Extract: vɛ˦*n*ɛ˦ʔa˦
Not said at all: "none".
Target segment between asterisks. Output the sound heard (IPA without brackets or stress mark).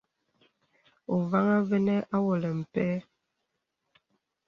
n